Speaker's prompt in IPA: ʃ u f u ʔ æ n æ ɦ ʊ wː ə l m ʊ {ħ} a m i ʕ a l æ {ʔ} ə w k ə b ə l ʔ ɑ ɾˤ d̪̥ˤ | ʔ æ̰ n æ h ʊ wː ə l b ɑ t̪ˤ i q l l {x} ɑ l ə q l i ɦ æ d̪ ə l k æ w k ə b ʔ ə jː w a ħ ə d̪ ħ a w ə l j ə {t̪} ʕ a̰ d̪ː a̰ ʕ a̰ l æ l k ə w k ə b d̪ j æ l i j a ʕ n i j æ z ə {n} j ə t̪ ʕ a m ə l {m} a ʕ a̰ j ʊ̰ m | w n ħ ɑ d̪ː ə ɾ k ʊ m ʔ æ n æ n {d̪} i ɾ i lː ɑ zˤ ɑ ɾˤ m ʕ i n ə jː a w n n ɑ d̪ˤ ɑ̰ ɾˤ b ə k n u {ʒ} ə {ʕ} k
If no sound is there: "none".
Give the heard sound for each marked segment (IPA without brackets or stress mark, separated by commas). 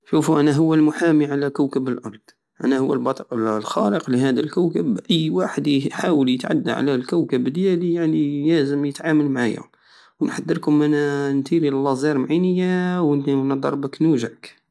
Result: ħ, k, x, t̪, m, m, t̪, ʒ, ʕ